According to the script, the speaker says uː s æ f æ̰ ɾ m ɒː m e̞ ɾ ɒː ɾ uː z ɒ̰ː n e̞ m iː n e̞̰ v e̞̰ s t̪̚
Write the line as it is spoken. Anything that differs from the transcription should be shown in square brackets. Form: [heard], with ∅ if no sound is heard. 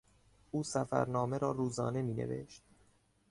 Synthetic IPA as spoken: uː s æ f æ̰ ɾ [n] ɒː m e̞ ɾ ɒː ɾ uː z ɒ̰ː n e̞ m iː n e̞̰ v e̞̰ [ʃ] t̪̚